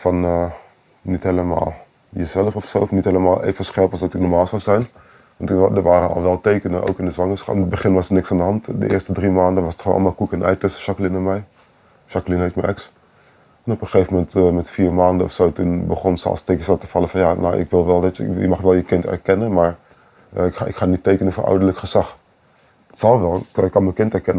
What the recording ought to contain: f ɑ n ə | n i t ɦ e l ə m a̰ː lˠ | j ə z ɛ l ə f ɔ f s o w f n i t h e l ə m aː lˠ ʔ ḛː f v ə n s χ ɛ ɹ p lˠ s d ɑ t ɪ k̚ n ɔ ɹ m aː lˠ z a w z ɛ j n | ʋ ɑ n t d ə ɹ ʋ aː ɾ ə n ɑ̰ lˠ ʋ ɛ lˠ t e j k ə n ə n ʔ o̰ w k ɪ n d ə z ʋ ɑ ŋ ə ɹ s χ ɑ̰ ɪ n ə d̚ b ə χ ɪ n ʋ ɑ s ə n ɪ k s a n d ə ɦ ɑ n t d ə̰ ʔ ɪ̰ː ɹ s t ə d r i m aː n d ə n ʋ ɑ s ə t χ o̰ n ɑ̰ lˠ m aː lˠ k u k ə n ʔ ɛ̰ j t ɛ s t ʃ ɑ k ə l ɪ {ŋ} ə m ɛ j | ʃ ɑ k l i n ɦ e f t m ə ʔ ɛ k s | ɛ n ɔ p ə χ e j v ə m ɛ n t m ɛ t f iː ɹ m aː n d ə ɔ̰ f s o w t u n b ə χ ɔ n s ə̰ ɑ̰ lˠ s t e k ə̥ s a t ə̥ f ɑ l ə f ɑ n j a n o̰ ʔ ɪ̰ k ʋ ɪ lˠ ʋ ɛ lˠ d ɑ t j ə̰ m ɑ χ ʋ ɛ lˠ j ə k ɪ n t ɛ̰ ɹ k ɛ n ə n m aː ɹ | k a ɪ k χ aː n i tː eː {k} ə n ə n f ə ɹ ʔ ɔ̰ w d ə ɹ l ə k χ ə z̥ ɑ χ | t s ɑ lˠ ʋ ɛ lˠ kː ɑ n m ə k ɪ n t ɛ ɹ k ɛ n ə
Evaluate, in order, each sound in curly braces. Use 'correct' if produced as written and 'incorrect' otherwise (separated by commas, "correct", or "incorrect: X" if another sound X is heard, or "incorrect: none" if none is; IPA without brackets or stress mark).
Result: incorrect: n, correct